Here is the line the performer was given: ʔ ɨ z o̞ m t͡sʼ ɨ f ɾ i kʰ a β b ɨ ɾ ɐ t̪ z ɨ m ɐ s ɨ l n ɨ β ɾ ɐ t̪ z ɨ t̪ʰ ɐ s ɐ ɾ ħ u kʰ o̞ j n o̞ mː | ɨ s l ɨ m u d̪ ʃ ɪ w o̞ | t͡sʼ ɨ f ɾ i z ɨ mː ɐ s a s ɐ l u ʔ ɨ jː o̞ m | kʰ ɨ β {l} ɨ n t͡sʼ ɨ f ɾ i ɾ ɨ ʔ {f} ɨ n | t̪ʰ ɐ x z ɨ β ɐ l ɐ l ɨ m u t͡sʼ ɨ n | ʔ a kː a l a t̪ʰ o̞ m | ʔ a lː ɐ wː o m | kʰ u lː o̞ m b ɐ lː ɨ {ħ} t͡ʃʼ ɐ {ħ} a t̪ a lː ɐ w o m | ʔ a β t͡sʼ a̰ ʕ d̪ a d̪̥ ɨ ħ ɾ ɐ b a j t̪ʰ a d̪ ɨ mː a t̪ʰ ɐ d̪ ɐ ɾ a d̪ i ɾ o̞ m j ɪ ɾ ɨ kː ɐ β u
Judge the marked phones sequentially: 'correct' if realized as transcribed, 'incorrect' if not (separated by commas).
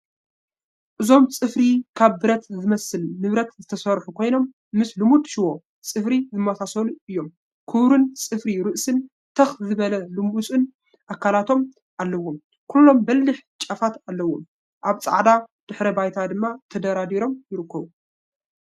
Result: incorrect, incorrect, correct, incorrect